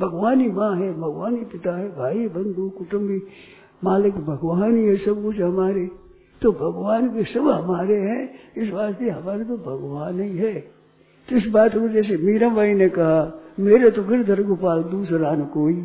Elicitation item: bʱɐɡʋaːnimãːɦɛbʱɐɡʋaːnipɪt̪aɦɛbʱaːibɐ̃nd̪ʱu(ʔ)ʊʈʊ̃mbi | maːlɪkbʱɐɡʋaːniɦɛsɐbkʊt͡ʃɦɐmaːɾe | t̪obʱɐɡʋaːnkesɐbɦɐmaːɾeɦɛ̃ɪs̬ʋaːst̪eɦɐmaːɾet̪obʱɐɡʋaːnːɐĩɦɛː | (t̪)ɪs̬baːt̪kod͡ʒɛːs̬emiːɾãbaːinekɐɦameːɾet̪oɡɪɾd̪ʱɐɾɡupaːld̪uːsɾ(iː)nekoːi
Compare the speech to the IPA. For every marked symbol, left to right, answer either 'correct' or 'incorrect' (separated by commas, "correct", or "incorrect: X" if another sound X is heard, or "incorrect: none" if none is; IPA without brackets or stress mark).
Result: incorrect: k, correct, incorrect: aː